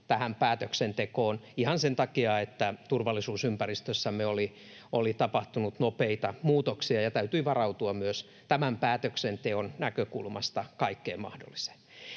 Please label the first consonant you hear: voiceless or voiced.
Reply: voiceless